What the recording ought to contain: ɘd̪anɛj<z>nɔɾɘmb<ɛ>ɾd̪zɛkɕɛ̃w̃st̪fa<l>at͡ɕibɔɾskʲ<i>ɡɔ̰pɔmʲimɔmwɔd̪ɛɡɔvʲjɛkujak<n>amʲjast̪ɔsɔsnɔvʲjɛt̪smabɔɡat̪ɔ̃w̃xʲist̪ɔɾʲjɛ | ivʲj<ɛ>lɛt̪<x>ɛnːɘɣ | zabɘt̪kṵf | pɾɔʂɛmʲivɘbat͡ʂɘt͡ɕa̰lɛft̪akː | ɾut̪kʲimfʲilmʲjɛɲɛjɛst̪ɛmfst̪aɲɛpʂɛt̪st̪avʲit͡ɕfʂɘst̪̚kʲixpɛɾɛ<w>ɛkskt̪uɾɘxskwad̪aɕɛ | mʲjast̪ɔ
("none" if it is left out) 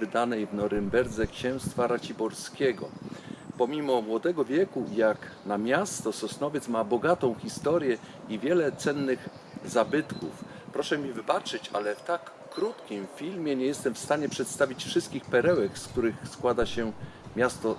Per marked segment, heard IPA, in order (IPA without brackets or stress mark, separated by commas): v, ɛ, ɾ, ɛ, n, ɛ, s, w